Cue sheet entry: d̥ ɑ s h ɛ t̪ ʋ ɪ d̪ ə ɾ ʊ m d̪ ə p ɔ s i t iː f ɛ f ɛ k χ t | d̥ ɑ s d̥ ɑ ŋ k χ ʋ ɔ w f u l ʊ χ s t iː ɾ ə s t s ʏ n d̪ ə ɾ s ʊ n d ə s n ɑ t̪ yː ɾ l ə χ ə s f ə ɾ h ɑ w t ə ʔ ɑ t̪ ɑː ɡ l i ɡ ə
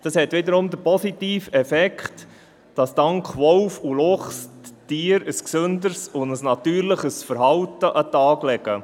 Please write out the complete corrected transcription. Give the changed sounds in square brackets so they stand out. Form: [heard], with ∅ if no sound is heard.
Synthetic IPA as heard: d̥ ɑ s h ɛ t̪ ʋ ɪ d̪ ə ɾ ʊ m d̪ ə p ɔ s i t iː f ɛ f ɛ k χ t | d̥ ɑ s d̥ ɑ ŋ k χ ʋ ɔ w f u l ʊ χ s t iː ɾ ə s [k] s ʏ n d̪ ə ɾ s ʊ n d ə s n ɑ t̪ yː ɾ l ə χ ə s f ə ɾ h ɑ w t ə ʔ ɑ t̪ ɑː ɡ l [ɛ] ɡ ə

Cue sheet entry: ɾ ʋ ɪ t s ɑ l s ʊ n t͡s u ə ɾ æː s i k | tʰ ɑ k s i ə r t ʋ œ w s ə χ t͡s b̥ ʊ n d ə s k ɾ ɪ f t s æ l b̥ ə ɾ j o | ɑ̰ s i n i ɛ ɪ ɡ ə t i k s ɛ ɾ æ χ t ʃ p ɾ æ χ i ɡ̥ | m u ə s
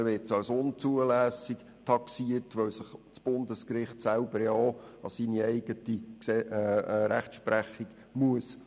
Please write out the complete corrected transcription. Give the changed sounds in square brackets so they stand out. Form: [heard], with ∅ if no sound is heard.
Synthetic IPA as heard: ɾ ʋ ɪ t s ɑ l s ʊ n t͡s u ə [l] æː s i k | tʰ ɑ k s i ə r t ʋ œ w s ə χ t͡s b̥ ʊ n d ə s k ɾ ɪ [χ] t s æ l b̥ ə ɾ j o | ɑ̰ s i n i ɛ ɪ ɡ ə t i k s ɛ ɾ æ χ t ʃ p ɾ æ χ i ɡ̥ | m u ə s

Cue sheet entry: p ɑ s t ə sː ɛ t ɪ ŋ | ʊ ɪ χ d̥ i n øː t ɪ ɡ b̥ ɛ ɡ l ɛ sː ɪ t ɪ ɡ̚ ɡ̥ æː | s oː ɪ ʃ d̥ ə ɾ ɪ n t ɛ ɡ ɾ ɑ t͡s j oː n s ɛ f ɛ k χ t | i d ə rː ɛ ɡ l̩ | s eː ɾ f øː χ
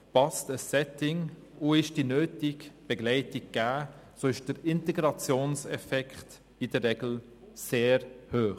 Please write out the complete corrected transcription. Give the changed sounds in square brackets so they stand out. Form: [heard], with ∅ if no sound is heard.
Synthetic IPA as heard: p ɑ s t ə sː ɛ t ɪ ŋ | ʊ ɪ [ʃ] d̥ i n øː t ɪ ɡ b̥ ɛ ɡ l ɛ [∅] ɪ t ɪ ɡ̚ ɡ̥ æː | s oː ɪ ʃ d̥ ə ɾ ɪ n t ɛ ɡ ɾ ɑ t͡s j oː n s ɛ f ɛ k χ t | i d ə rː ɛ ɡ l̩ | s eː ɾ [h] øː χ

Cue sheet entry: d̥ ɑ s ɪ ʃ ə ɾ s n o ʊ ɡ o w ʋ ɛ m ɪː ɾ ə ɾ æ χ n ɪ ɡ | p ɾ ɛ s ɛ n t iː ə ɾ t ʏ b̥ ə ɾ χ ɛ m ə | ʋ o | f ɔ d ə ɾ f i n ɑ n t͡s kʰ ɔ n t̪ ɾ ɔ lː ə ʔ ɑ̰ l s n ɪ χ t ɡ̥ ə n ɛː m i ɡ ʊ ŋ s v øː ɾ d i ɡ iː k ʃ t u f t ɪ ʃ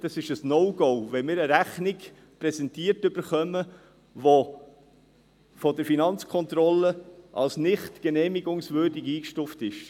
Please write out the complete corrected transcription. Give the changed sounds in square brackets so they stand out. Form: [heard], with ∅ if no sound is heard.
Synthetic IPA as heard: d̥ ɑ s ɪ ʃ ə [∅] s n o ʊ ɡ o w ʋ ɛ m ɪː ɾ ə ɾ æ χ n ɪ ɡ | p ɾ ɛ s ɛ n t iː ə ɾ t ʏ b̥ ə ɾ χ [œ] m ə | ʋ o | f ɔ d ə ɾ f i n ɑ n t͡s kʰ ɔ n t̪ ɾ ɔ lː ə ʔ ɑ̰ l s n ɪ χ t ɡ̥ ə n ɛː m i ɡ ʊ ŋ s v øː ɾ d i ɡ iː k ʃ t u f t ɪ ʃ

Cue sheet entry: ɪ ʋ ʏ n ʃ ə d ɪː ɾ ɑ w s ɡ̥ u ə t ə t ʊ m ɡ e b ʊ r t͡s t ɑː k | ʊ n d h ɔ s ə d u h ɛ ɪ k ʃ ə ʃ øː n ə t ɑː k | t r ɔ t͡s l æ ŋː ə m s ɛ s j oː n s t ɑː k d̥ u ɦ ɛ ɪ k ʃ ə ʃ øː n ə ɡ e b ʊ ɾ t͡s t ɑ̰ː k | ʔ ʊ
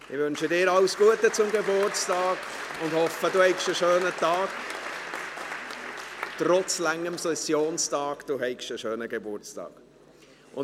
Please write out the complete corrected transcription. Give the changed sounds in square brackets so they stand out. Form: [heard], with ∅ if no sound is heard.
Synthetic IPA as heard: ɪ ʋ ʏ n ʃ ə d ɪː ɾ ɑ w s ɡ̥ u ə t ə [t͡s] ʊ m ɡ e b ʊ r t͡s t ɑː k | ʊ n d h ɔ [f] ə d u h ɛ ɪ k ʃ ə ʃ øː n ə t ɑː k | t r ɔ t͡s l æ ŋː ə m s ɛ s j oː n s t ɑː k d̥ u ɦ ɛ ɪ k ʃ ə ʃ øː n ə ɡ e b ʊ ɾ t͡s t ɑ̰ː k | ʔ ʊ

